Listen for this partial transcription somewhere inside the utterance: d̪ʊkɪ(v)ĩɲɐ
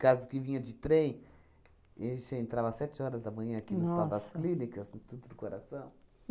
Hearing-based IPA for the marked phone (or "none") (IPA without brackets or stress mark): v